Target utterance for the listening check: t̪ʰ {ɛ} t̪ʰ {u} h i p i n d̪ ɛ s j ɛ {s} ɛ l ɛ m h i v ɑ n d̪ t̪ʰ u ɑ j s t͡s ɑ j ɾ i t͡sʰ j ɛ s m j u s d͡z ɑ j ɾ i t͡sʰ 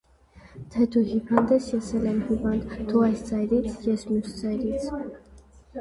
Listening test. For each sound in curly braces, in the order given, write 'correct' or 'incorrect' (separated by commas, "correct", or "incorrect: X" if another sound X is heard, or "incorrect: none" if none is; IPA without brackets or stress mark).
correct, correct, correct